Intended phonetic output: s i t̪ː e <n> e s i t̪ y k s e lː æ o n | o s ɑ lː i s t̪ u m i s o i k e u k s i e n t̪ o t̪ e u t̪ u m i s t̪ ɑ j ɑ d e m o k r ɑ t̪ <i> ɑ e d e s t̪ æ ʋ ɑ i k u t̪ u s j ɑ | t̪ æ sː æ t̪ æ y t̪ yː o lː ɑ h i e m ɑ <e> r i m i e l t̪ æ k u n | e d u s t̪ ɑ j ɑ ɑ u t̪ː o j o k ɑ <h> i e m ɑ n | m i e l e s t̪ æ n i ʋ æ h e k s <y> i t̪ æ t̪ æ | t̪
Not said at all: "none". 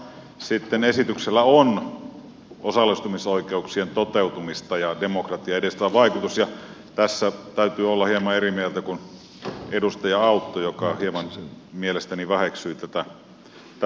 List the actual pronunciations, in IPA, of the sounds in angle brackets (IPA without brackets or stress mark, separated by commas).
n, i, e, h, y